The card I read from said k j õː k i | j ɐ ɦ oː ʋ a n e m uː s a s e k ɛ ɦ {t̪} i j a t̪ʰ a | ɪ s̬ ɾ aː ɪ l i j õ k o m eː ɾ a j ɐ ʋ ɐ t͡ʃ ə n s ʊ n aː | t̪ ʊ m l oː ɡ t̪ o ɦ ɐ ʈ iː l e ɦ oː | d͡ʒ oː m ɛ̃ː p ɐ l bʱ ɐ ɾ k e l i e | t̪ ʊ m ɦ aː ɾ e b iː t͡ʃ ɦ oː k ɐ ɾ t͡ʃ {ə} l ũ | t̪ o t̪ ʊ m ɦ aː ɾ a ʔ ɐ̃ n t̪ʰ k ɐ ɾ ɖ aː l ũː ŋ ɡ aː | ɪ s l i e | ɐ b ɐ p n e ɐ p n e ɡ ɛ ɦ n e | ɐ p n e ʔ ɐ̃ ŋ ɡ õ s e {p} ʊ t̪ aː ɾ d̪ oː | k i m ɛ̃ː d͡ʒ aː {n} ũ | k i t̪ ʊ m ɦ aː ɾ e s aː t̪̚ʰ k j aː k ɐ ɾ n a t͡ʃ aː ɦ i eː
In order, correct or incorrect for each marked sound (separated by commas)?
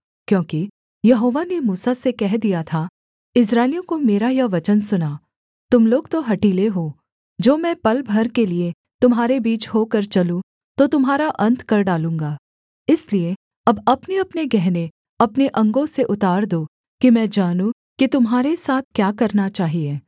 incorrect, incorrect, incorrect, correct